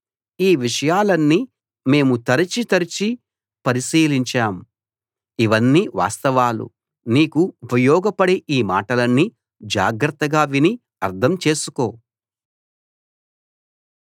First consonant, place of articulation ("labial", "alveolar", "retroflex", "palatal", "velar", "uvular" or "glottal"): labial